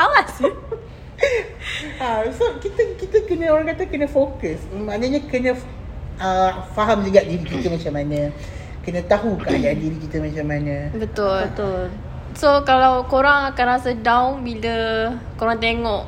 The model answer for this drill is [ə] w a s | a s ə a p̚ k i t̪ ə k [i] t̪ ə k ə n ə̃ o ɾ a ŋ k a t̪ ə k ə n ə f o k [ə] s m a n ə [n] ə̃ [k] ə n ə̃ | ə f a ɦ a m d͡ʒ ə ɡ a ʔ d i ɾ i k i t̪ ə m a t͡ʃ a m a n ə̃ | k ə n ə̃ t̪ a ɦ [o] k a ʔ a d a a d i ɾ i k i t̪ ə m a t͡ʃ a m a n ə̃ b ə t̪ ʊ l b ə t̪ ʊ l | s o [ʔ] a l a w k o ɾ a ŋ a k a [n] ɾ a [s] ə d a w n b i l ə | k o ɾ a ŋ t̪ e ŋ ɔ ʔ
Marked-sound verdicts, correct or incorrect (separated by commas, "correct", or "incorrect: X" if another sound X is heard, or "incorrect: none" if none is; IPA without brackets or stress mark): incorrect: a, correct, correct, incorrect: ɲ, correct, incorrect: u, incorrect: k, correct, correct